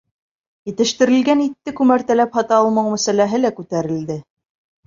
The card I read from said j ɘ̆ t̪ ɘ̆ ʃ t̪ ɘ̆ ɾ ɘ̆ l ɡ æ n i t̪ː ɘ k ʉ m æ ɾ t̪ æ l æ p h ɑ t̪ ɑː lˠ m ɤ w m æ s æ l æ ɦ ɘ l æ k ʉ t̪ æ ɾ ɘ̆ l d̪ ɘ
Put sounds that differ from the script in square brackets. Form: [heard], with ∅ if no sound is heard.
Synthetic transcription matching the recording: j ɘ̆ t̪ ɘ̆ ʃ t̪ ɘ̆ ɾ ɘ̆ l ɡ æ n i t̪ː ɘ k ʉ m æ ɾ t̪ æ l æ p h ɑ t̪ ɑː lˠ m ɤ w m æ s æ l æ ɦ ɘ l æ k ʉ t̪ æ ɾ ɘ̆ l d̪ ɘ